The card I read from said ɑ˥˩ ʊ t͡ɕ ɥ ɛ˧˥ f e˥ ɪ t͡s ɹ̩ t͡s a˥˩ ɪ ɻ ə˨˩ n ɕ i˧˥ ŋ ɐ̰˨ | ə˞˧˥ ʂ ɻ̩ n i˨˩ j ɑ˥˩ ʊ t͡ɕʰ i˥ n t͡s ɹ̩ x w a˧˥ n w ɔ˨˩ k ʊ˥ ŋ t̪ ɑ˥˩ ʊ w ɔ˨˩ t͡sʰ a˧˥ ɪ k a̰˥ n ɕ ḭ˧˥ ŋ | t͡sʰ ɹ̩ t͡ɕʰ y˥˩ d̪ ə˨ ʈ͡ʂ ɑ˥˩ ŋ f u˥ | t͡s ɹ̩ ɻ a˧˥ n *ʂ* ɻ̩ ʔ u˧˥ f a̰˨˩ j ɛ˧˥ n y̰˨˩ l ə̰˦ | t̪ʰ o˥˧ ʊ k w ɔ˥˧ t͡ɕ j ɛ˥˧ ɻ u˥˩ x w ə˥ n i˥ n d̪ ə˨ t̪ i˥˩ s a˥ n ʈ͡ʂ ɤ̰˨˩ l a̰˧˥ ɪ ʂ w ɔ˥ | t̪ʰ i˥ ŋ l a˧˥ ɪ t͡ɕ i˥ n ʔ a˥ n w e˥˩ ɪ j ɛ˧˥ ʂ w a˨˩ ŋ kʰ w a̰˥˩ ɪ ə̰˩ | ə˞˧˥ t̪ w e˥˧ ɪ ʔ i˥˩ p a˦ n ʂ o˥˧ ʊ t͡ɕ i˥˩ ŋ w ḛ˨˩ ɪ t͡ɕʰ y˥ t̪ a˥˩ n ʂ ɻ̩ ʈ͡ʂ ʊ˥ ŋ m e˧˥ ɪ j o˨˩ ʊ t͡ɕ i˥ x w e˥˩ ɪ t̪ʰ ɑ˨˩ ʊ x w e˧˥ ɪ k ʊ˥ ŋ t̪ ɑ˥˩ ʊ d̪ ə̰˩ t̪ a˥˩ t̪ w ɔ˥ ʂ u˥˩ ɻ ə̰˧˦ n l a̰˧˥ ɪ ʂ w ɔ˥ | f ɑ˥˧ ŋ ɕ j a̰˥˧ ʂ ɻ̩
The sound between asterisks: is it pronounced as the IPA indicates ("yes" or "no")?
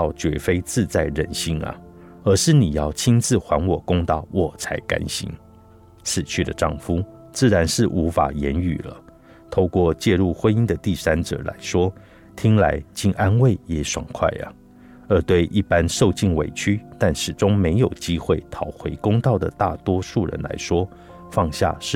yes